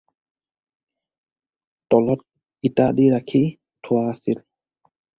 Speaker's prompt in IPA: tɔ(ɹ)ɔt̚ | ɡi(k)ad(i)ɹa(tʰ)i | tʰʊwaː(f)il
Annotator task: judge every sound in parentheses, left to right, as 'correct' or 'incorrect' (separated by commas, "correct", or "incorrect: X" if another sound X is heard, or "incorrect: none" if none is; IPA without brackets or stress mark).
incorrect: l, incorrect: t, correct, incorrect: kʰ, incorrect: s